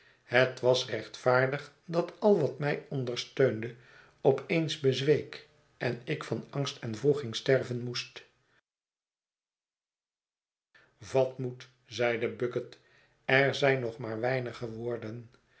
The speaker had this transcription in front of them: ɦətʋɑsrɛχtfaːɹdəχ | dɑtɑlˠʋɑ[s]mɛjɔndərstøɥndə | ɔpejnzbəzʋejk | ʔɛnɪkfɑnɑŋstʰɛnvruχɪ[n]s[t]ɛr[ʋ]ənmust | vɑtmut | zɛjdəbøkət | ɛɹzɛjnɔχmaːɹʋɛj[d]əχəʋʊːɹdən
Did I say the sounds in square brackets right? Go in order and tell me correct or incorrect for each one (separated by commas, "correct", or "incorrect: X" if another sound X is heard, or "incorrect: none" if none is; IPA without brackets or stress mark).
incorrect: t, incorrect: ŋ, correct, incorrect: v, incorrect: n